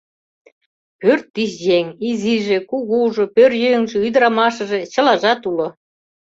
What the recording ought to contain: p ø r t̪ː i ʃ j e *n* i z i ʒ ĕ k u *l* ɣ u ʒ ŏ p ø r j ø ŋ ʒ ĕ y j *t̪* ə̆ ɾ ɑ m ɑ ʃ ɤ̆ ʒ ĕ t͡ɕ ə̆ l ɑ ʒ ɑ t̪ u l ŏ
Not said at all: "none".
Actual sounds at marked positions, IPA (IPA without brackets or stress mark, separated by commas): ŋ, none, d̪